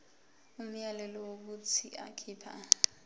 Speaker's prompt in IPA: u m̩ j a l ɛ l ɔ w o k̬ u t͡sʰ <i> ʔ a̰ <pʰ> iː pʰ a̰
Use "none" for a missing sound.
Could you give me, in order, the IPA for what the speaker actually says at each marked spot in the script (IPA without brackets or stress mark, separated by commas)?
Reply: i, kʰ